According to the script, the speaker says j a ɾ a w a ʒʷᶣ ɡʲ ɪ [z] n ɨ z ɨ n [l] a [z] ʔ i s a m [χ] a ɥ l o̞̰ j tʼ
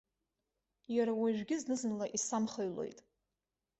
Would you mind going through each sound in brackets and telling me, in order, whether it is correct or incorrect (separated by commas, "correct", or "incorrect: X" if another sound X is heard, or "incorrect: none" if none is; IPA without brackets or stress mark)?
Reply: correct, correct, incorrect: none, correct